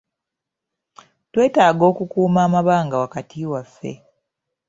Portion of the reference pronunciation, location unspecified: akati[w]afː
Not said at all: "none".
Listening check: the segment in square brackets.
w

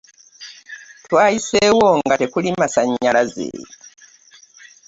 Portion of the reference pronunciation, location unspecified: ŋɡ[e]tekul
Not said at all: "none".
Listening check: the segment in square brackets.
a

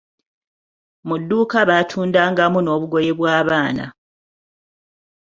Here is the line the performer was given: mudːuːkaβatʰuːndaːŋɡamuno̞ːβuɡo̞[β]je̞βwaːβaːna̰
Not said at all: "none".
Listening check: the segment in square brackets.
none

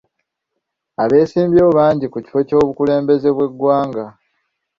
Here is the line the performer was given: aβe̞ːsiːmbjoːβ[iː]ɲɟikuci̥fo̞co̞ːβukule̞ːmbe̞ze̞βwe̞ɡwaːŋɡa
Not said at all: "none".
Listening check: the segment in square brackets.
aː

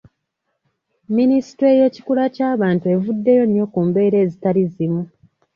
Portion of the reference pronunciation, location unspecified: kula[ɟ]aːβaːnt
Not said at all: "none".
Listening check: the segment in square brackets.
c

